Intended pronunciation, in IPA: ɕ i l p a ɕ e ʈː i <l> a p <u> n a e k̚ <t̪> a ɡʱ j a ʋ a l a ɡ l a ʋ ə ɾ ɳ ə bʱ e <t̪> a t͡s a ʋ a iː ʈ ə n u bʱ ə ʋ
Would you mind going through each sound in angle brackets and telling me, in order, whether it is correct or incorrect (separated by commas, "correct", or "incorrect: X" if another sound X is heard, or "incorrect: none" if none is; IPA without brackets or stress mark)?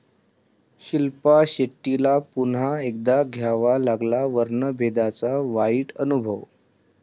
correct, correct, incorrect: d̪, incorrect: d̪